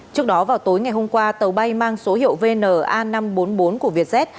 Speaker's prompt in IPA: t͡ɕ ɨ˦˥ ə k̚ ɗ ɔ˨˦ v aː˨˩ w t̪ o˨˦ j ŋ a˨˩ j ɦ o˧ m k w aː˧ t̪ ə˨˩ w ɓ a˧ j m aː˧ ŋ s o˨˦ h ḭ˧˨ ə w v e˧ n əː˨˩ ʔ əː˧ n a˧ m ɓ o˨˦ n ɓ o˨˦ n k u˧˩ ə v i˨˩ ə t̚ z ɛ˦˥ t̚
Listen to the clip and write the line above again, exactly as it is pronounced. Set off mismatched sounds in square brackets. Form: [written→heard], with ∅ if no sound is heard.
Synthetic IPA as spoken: t͡ɕ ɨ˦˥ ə k̚ ɗ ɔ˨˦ v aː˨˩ w t̪ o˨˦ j ŋ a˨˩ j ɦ o˧ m k w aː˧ t̪ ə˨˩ w ɓ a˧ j m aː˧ ŋ s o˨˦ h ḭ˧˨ ə w v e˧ n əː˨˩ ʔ [əː˧→aː˧] n a˧ m ɓ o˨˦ n ɓ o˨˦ n k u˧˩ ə v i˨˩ ə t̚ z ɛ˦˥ t̚